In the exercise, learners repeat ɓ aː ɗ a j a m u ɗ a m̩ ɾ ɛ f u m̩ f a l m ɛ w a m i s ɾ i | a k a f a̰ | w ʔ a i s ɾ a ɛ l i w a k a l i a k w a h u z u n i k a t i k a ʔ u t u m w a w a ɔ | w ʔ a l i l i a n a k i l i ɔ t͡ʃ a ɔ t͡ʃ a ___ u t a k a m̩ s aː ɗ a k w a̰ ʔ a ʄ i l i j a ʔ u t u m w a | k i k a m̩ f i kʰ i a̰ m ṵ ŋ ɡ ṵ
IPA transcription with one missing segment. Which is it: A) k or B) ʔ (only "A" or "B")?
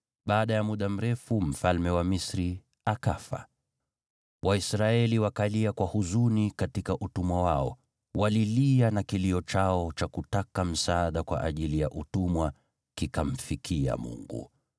A